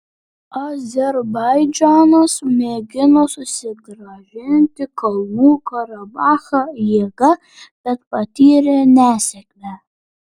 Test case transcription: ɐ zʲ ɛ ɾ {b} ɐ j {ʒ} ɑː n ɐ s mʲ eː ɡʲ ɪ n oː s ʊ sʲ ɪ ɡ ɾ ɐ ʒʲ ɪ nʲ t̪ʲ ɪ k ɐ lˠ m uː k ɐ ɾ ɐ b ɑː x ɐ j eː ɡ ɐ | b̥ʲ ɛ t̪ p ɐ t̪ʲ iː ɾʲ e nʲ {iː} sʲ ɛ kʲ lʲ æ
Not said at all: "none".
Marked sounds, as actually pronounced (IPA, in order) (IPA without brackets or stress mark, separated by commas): b, d͡ʒ, æː